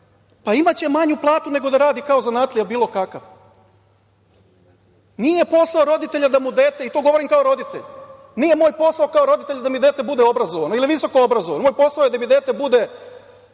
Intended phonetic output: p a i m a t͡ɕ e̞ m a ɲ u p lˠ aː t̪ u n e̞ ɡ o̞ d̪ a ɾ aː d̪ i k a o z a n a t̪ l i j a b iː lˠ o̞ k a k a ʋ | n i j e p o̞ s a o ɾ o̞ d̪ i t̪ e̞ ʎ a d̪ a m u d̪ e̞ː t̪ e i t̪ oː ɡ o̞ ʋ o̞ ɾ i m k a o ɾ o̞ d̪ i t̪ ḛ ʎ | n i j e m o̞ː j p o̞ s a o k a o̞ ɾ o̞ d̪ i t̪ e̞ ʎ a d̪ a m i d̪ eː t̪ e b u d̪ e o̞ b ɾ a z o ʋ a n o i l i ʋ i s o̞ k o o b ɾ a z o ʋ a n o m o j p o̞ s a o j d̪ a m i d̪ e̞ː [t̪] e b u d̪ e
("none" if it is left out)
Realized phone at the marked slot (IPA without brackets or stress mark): t̪